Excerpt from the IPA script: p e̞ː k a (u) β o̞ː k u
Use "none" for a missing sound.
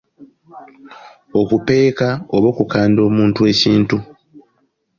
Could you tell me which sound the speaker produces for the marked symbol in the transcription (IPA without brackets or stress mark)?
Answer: o